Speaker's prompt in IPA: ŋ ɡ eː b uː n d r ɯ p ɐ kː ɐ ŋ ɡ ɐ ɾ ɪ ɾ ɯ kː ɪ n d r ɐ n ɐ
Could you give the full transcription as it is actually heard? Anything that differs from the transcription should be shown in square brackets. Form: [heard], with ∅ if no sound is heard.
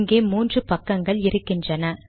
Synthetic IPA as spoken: ŋ ɡ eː [m] uː n d r ɯ p ɐ kː ɐ ŋ ɡ ɐ [ɭ] ɪ ɾ ɯ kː ɪ n d r ɐ n ɐ